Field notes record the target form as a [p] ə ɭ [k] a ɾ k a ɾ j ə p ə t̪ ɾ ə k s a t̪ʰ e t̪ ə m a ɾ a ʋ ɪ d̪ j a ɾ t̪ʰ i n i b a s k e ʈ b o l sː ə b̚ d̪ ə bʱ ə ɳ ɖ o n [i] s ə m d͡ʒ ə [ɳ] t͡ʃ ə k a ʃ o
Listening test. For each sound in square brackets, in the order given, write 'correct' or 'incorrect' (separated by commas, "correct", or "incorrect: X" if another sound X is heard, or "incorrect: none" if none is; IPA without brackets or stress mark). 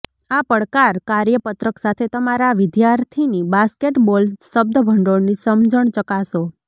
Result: correct, correct, correct, correct